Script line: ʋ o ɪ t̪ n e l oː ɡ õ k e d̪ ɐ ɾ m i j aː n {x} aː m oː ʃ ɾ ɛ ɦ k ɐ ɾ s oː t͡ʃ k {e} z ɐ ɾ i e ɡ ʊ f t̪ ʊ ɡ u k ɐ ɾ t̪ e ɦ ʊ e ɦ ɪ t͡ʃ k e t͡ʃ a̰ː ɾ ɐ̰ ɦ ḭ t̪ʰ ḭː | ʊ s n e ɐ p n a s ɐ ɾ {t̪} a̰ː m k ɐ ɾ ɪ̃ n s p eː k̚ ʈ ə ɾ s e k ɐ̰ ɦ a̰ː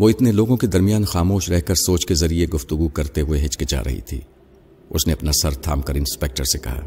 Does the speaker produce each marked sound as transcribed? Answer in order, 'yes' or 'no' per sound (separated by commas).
yes, yes, no